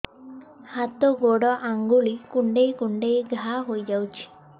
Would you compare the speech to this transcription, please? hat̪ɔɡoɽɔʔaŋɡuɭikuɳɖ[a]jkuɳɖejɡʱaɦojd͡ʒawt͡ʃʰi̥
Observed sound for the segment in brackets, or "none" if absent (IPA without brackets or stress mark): e